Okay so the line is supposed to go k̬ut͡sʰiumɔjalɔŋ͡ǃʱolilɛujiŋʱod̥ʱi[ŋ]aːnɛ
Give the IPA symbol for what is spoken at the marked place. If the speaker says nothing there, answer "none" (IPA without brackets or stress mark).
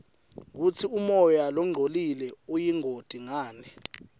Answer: ŋ